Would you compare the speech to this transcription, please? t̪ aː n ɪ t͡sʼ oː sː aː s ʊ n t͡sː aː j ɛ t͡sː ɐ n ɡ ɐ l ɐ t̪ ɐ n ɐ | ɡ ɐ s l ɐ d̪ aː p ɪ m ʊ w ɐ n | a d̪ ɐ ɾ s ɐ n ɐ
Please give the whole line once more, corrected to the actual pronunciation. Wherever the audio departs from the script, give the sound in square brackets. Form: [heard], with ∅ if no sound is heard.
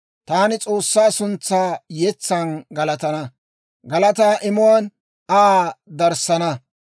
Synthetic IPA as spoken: t̪ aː n ɪ t͡sʼ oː sː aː s ʊ n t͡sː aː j ɛ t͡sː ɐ n ɡ ɐ l ɐ t̪ ɐ n ɐ | ɡ ɐ [∅] l ɐ [t̪] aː [ʔ] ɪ m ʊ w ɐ n | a d̪ ɐ ɾ s ɐ n ɐ